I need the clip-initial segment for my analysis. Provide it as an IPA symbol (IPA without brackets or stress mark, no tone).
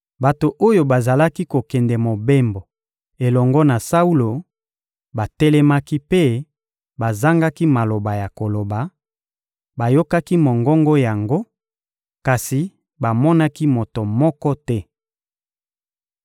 b